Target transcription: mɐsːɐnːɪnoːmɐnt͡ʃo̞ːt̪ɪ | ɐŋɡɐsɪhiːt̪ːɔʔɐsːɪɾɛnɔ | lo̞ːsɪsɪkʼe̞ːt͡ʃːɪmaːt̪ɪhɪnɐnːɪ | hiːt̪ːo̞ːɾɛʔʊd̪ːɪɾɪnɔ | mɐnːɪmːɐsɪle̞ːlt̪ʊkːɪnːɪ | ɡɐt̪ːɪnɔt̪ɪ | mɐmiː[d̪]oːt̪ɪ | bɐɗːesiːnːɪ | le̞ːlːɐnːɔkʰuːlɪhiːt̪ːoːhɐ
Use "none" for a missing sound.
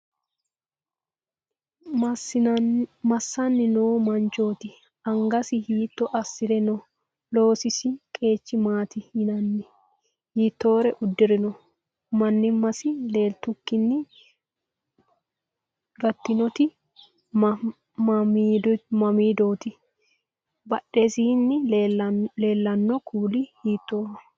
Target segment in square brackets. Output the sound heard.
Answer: d̪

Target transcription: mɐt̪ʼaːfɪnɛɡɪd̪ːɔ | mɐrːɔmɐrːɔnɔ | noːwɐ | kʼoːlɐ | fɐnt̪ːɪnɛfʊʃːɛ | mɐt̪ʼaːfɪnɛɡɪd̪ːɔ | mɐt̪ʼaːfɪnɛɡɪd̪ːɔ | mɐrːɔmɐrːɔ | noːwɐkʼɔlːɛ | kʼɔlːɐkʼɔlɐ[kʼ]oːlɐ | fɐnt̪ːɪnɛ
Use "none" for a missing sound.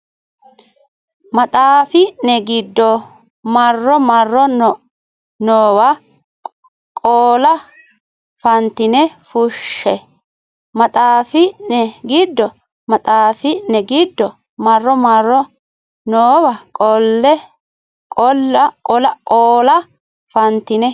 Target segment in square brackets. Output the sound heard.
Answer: kʼ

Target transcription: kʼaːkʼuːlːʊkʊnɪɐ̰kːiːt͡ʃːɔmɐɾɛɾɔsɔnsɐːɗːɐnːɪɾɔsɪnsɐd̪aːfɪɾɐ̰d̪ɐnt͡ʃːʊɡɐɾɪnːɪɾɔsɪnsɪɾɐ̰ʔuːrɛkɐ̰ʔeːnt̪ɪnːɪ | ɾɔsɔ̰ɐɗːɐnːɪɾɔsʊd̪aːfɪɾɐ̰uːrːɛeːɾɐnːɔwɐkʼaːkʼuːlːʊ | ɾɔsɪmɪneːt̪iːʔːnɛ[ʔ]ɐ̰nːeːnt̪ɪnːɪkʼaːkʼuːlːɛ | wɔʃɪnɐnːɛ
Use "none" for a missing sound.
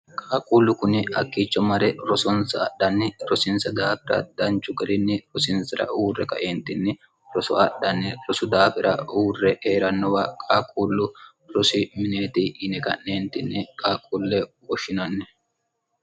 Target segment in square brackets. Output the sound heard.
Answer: k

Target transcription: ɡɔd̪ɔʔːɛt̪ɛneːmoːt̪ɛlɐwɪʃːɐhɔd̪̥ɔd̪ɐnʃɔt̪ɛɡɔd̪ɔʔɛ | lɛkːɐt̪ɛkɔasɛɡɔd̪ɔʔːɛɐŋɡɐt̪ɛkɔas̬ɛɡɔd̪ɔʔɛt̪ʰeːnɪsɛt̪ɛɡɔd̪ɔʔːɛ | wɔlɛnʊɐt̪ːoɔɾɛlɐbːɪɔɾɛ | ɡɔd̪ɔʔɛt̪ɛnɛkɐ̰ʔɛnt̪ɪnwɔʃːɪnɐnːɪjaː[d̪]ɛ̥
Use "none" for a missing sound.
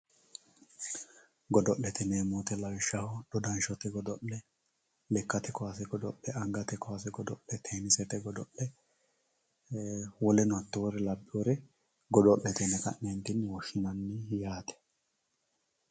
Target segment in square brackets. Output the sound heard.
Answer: t̪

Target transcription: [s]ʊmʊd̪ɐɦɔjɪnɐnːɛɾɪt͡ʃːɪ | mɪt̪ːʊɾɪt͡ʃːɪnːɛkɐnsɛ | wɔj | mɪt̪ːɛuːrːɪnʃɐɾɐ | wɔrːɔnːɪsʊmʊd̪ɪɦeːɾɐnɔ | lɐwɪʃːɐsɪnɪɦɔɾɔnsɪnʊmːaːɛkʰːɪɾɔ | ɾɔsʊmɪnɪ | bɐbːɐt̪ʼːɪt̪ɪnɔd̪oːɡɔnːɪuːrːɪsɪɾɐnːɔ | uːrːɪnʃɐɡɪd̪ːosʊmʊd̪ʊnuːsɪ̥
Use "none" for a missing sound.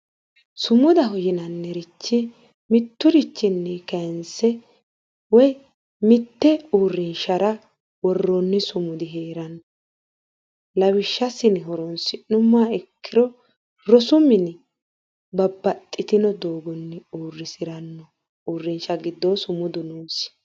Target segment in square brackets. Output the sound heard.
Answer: s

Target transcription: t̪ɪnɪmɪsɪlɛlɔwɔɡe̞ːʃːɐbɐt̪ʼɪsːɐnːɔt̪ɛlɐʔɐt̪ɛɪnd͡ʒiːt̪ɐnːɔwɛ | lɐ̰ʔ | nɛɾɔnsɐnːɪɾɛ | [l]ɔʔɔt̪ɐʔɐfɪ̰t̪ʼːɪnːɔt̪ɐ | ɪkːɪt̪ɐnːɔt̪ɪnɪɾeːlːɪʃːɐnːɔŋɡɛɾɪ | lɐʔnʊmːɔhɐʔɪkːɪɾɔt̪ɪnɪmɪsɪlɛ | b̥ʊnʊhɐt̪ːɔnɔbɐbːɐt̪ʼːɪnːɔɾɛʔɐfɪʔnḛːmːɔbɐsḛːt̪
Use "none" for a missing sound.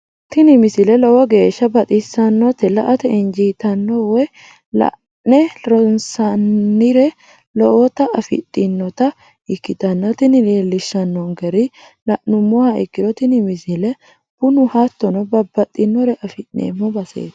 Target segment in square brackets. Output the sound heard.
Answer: l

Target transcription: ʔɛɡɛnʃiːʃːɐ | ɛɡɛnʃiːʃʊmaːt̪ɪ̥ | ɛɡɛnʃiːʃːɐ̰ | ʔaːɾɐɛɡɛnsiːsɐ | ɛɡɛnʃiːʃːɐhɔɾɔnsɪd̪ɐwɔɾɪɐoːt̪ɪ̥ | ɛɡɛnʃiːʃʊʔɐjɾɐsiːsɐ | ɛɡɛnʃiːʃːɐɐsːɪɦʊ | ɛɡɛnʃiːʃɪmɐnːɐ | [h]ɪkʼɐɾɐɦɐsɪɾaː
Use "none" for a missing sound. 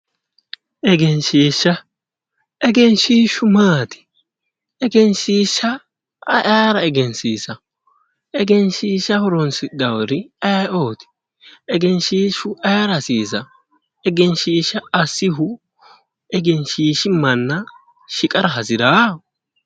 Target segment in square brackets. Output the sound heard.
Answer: ʃ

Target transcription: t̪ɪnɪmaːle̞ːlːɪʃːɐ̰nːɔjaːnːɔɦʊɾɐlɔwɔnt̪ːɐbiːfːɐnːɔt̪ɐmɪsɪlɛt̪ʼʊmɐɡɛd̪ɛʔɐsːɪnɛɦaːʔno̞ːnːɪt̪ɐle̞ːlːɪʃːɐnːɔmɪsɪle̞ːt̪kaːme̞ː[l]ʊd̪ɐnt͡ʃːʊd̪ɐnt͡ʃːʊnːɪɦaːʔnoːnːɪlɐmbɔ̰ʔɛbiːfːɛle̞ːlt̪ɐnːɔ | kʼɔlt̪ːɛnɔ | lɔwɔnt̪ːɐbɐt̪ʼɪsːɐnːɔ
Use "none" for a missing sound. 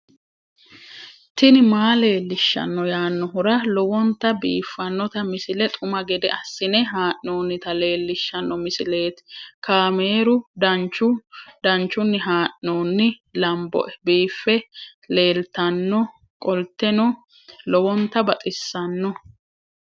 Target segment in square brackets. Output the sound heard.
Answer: ɾ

